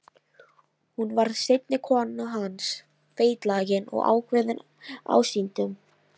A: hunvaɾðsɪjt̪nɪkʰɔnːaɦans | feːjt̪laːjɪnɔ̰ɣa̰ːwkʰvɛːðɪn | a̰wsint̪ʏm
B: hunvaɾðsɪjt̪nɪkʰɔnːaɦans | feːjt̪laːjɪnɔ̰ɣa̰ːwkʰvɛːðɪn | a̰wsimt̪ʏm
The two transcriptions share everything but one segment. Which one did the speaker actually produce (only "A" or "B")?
A